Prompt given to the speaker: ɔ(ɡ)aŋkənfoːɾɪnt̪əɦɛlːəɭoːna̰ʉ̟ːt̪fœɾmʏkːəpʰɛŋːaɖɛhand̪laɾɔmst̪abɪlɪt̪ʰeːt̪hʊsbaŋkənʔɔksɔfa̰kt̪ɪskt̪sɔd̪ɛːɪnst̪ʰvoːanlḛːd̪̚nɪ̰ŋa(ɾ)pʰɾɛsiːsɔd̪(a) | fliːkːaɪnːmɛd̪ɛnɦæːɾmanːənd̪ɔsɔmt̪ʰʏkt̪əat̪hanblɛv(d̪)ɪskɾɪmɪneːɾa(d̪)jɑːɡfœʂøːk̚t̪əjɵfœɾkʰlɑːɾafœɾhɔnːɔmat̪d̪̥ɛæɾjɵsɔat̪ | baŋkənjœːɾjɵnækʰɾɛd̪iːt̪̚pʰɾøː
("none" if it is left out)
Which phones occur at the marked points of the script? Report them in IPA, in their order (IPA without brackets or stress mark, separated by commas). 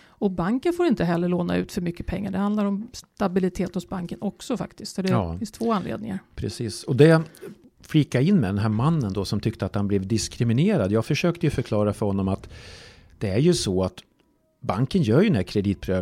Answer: b, ɾ, ɛ, d̪, d̪